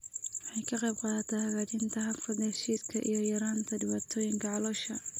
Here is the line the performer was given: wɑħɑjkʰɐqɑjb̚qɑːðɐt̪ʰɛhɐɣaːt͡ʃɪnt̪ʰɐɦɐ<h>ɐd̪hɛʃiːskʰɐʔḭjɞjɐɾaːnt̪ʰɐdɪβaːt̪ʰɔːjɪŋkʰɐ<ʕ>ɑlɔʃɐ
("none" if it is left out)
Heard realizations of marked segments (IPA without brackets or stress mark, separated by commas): f, ʕ